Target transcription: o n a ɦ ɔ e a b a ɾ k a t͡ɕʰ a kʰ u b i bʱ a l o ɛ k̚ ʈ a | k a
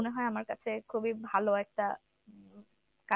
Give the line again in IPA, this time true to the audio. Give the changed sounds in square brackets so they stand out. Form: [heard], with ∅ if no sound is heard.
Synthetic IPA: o n [e] ɦ ɔ e a [m] a ɾ k a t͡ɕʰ [e] kʰ u b i bʱ a l o ɛ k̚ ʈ a | k a